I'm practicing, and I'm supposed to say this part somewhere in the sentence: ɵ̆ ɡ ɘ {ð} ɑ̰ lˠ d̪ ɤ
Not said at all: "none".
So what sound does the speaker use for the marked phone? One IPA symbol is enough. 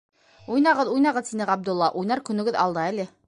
ð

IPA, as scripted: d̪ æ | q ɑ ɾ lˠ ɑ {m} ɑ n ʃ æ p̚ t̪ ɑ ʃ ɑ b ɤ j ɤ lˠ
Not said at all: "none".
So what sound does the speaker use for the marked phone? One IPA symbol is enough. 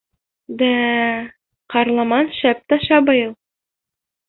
m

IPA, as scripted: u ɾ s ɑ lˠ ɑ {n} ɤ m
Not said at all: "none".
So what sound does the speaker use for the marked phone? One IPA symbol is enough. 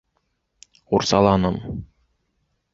n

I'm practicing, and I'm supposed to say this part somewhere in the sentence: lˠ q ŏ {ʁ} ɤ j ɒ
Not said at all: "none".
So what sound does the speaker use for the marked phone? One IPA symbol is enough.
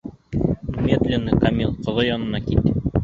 ð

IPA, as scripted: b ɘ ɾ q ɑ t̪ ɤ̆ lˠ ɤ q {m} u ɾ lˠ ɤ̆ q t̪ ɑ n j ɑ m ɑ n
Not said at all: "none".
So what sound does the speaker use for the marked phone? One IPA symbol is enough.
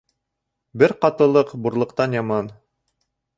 b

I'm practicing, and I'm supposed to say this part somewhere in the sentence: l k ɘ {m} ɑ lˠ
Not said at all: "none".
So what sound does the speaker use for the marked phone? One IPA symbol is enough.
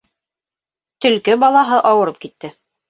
b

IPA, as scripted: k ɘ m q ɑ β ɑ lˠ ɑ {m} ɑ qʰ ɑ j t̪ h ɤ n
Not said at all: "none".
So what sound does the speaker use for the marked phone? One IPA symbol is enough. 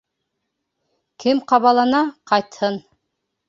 n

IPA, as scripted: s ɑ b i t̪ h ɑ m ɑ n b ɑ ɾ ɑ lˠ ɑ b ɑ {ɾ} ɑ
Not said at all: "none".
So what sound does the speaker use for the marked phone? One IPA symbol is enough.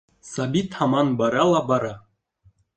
ɾ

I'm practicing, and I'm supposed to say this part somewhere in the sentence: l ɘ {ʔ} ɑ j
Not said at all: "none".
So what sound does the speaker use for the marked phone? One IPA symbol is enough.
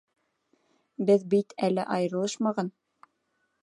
ʔ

